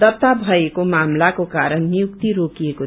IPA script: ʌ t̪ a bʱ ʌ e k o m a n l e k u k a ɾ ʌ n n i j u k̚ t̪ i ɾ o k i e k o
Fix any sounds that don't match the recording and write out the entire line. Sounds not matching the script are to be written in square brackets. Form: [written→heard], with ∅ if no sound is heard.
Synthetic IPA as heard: ʌ t̪ a bʱ ʌ e k o m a [n→m] l [e→a] k [u→o] k a ɾ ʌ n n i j u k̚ t̪ i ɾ o k i e k o